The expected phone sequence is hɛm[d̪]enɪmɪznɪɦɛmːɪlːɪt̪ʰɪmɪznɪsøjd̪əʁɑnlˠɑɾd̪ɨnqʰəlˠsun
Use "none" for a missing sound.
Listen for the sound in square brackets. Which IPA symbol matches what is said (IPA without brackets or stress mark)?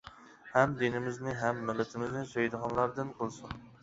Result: d̪